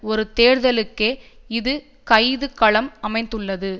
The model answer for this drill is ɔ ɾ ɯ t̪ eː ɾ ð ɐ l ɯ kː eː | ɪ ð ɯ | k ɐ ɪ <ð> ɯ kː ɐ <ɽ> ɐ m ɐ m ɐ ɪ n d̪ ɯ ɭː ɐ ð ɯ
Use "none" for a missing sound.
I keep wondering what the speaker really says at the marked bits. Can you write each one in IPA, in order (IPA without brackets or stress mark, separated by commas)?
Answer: ð, ɭ